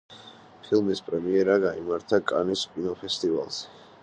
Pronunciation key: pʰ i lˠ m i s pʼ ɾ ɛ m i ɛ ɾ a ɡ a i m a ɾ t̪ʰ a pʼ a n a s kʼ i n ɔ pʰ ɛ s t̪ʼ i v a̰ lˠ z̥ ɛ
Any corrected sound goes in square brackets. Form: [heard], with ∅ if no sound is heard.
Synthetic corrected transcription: pʰ i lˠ m i s pʼ ɾ ɛ m i ɛ ɾ a ɡ a i m a ɾ t̪ʰ a [kʼ] a n [i] s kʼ i n ɔ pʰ ɛ s t̪ʼ i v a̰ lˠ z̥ ɛ